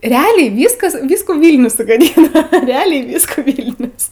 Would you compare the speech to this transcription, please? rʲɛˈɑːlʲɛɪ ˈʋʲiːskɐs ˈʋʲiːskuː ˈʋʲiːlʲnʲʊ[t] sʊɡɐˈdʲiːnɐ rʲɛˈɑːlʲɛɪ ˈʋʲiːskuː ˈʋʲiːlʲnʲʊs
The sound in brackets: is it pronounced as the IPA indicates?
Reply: no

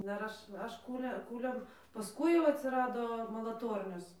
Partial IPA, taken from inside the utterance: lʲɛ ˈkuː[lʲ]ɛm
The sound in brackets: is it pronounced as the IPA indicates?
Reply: yes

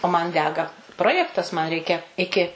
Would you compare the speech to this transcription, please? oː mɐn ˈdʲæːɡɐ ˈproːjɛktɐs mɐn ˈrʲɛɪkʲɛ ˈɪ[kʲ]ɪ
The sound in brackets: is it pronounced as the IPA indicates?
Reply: yes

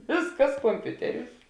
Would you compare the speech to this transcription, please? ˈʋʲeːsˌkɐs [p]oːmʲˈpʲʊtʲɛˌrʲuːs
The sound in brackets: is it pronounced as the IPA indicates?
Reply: no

